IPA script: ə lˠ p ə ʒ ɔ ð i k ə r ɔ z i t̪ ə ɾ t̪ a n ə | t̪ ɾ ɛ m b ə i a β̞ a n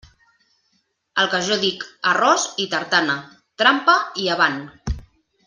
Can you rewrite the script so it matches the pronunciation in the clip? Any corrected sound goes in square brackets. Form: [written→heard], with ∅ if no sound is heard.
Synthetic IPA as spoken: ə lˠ [p→k] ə ʒ ɔ ð i k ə r ɔ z i t̪ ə ɾ t̪ a n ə | t̪ ɾ [ɛ→a] m [b→p] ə i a β̞ a n